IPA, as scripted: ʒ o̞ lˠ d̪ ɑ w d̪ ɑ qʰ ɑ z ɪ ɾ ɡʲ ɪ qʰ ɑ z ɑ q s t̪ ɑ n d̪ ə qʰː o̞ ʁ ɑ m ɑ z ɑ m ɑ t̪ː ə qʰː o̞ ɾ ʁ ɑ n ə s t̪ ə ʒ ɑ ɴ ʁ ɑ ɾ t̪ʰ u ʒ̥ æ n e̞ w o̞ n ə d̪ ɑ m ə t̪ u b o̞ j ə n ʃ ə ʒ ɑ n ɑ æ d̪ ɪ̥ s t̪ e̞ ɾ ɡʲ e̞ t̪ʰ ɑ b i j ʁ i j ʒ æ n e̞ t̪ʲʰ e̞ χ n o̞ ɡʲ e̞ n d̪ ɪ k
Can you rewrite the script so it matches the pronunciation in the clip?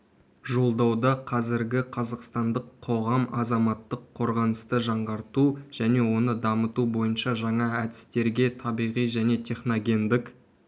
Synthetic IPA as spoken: ʒ o̞ lˠ d̪ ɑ w d̪ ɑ qʰ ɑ z ɪ ɾ ɡʲ ɪ qʰ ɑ z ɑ q s t̪ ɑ n d̪ ə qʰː o̞ ʁ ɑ m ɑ z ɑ m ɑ t̪ː ə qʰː o̞ ɾ ʁ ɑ n ə s t̪ ə ʒ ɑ ɴ ʁ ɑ ɾ t̪ u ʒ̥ æ n e̞ w o̞ n ə d̪ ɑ m ə t̪ u b o̞ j ə n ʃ ɑ ʒ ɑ ɴ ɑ æ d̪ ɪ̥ s t̪ e̞ ɾ ɡʲ e̞ t̪ʰ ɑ b i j ʁ i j ʒ æ n e̞ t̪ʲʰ e̞ χ n o̞ ɡʲ e̞ n d̪ ɪ k